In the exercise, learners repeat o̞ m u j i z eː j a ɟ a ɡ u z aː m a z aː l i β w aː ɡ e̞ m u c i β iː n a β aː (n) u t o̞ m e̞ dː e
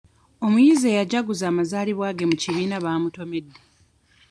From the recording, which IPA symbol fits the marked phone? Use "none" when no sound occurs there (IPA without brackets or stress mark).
m